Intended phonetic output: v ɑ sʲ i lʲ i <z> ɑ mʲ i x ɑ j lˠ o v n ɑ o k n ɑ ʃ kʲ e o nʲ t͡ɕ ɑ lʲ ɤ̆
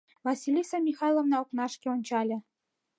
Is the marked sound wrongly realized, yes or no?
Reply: yes